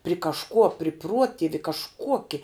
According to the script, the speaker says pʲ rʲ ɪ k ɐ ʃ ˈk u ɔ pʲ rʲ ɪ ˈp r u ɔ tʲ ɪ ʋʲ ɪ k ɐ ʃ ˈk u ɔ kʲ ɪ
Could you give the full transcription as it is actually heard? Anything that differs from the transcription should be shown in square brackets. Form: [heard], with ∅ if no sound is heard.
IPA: pʲ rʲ ɪ k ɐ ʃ ˈk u ɔ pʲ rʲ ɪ ˈp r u ɔ tʲ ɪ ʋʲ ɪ k ɐ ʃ ˈk u ɔ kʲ ɪ